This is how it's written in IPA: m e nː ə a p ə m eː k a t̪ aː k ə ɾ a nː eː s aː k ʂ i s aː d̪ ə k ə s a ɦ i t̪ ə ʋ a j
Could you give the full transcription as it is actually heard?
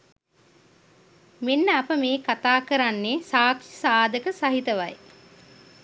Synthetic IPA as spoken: m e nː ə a p ə m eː k a t̪ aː k ə ɾ a nː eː s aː k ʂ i s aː d̪ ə k ə s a ɦ i t̪ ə ʋ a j